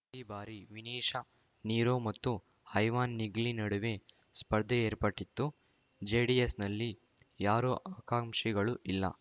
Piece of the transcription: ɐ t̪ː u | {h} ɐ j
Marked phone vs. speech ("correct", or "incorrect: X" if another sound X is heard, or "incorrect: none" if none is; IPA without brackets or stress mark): correct